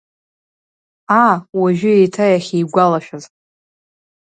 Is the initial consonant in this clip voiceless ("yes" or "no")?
no